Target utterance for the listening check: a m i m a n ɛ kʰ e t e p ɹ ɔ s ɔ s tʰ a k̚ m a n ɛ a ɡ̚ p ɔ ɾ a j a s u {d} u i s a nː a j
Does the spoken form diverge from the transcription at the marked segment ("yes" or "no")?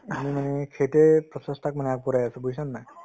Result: yes